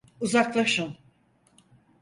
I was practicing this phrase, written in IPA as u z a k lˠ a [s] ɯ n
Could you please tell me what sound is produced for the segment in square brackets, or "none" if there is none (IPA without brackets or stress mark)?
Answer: ʃ